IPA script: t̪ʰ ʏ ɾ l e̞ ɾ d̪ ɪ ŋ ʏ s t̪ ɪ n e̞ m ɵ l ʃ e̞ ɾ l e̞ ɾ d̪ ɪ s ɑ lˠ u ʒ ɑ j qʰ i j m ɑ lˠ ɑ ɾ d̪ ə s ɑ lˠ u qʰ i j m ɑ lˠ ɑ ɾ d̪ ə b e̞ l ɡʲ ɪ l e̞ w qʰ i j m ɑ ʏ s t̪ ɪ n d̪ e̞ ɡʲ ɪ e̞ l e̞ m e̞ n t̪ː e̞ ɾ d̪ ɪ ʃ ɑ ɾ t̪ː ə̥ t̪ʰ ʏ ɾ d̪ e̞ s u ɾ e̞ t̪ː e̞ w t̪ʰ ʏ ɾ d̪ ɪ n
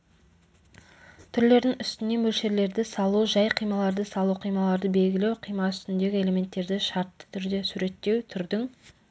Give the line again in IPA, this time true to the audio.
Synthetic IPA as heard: t̪ʰ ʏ ɾ l e̞ ɾ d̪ ɪ ŋ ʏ s t̪ ɪ n e̞ m ɵ l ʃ e̞ ɾ l e̞ ɾ d̪ ɪ s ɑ lˠ u ʒ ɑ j qʰ i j m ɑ lˠ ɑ ɾ d̪ ə s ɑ lˠ u qʰ i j m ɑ lˠ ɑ ɾ d̪ ə b e̞ l ɡʲ ɪ l e̞ w qʰ i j m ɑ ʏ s t̪ ɪ n d̪ e̞ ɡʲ ɪ e̞ l e̞ m e̞ n t̪ː e̞ ɾ d̪ ɪ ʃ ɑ ɾ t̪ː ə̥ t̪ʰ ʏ ɾ d̪ e̞ s u ɾ e̞ t̪ː e̞ w t̪ʰ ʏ ɾ d̪ ɪ ŋ